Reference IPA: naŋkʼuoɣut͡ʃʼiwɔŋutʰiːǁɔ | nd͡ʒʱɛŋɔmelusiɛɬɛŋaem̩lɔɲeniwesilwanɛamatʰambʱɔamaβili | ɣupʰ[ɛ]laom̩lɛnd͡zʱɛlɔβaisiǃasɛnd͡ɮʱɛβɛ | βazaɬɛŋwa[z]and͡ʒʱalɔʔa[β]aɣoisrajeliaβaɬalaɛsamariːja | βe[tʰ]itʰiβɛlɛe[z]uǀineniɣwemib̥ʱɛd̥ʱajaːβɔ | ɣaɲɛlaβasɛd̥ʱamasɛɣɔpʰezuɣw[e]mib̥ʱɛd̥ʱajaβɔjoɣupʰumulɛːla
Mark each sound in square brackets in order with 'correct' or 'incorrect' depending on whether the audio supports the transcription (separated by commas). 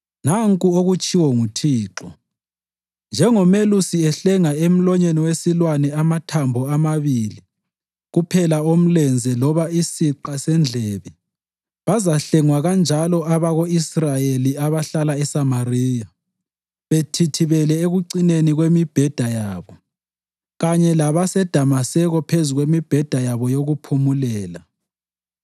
correct, incorrect, correct, correct, incorrect, correct